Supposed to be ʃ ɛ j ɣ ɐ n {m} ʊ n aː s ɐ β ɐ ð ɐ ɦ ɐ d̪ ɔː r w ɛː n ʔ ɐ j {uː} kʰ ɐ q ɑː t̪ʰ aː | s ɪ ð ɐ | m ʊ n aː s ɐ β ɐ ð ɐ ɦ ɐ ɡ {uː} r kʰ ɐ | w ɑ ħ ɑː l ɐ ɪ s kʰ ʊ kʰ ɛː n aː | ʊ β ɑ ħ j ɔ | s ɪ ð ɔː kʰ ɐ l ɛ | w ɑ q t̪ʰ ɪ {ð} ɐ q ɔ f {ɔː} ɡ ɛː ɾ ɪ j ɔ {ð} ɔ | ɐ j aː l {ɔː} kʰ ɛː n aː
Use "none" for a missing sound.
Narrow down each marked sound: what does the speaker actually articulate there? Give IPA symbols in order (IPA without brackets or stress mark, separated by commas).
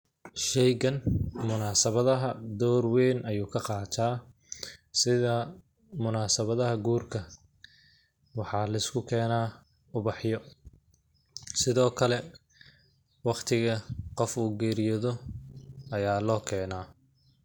m, uː, uː, ɣ, uː, ð, ɔː